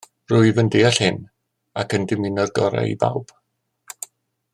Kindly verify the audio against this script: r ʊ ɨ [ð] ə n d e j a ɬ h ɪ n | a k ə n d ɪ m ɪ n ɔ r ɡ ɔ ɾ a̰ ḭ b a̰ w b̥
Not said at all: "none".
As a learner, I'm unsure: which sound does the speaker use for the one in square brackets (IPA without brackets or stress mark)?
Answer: v